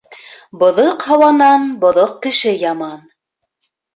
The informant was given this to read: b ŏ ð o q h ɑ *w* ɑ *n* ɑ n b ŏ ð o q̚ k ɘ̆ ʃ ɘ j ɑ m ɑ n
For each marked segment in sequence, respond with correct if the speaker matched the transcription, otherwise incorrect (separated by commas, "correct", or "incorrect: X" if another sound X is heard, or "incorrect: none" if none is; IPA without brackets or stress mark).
correct, correct